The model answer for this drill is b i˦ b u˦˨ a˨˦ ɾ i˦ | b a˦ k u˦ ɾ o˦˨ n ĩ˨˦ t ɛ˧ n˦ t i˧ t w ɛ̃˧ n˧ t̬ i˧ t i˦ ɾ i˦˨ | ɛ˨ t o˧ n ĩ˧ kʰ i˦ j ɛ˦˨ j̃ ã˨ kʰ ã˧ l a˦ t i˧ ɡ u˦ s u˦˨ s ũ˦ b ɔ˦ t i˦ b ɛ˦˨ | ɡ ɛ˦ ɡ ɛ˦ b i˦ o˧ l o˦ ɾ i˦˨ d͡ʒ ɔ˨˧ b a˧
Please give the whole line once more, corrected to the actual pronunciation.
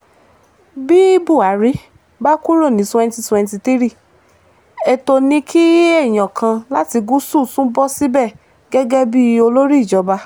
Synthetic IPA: b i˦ b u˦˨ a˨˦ ɾ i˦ | b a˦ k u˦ ɾ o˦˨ n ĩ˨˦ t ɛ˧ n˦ t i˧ t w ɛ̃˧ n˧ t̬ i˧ t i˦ ɾ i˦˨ | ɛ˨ t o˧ n ĩ˧ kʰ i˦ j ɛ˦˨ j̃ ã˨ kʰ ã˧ l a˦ t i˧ ɡ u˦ s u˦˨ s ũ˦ b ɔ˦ s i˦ b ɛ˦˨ | ɡ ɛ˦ ɡ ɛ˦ b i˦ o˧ l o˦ ɾ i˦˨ d͡ʒ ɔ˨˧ b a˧